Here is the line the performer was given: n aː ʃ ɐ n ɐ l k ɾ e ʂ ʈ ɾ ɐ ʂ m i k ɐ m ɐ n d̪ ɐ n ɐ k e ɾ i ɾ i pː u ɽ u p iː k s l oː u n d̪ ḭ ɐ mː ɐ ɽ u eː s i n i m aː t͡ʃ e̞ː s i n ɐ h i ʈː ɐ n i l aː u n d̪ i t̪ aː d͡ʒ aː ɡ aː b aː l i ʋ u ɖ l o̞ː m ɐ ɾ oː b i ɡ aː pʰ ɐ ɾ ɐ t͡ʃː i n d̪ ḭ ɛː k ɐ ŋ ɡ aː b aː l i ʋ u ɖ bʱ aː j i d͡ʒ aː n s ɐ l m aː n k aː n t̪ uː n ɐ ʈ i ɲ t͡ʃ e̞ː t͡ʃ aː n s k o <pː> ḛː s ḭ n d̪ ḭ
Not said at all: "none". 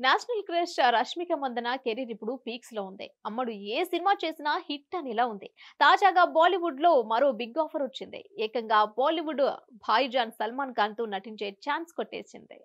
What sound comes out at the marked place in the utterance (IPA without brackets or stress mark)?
ʈː